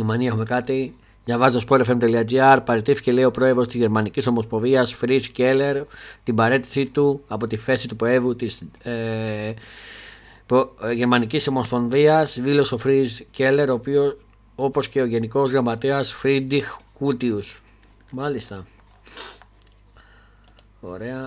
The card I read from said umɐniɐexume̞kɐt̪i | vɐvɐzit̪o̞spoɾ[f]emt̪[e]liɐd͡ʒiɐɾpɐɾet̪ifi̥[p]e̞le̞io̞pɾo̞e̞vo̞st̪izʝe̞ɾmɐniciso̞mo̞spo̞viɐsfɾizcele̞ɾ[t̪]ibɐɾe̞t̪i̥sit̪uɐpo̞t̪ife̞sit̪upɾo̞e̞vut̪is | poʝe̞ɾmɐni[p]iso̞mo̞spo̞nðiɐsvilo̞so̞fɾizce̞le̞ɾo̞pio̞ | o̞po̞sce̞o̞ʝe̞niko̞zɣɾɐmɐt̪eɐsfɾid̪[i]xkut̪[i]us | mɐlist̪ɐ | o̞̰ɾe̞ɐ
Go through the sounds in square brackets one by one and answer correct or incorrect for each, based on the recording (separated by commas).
correct, correct, incorrect, correct, incorrect, correct, correct